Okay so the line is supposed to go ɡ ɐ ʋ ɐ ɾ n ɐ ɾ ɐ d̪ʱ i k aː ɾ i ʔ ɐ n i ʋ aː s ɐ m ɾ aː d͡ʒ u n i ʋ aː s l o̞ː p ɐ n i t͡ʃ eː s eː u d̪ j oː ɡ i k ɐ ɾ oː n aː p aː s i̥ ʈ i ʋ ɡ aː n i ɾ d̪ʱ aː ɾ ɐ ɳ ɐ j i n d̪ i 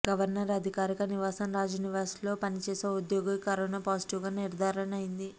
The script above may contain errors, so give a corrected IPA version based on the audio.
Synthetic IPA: ɡ ɐ ʋ ɐ ɾ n ɐ ɾ ɐ d̪ʱ i k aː ɾ i k ɐ n i ʋ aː s ɐ m ɾ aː d͡ʒ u n i ʋ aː s l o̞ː p ɐ n i t͡ʃ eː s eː u d̪ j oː ɡ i k ɐ ɾ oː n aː p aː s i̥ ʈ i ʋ ɡ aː n i ɾ d̪ʱ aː ɾ ɐ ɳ ɐ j i n d̪ i